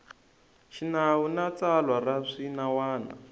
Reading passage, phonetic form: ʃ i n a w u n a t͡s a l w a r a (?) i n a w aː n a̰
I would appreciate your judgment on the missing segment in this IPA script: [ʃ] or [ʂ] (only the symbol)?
ʂ